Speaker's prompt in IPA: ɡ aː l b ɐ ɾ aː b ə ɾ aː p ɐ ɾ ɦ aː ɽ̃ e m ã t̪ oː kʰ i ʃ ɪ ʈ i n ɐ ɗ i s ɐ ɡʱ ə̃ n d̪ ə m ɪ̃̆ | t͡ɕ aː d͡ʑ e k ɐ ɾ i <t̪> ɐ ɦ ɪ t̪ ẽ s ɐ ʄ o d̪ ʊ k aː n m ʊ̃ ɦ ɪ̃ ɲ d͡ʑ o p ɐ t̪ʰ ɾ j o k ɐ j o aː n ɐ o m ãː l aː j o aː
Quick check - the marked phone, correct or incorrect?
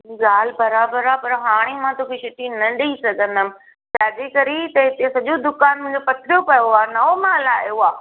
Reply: correct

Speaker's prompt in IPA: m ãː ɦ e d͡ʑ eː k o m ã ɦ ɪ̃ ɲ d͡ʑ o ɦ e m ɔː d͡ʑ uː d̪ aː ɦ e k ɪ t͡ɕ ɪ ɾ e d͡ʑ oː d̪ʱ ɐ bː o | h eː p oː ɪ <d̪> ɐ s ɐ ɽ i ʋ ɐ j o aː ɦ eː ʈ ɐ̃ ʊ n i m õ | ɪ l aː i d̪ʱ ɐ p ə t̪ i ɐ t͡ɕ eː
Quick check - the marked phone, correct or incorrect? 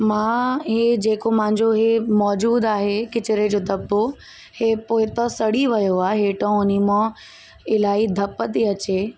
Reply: incorrect: t̪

